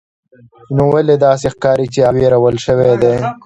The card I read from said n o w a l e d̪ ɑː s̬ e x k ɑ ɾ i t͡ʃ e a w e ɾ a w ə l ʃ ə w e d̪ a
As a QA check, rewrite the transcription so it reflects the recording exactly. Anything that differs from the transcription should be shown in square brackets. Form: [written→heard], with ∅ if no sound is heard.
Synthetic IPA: n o w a l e d̪ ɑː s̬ e x k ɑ ɾ i t͡ʃ e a w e ɾ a w ə l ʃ ə w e d̪ [a→e]